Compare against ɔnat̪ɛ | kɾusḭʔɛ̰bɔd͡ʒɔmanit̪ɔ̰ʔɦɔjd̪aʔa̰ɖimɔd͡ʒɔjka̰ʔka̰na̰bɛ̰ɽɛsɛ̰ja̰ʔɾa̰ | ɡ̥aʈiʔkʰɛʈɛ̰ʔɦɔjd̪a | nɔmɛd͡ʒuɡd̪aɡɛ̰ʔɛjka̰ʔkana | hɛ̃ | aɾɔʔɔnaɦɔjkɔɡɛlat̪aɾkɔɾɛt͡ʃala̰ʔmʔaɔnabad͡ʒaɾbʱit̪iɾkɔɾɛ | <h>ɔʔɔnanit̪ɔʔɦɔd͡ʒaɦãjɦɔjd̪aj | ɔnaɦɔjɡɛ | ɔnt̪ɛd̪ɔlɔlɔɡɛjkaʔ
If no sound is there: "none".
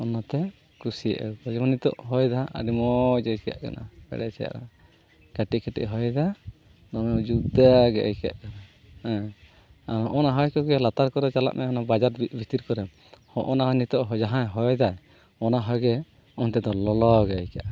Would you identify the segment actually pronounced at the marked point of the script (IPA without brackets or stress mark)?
h